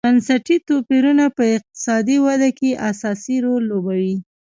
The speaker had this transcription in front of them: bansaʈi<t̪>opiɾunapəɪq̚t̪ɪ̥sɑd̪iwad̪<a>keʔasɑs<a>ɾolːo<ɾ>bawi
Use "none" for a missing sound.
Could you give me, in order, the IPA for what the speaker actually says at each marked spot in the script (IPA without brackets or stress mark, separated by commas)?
t̪, a, i, none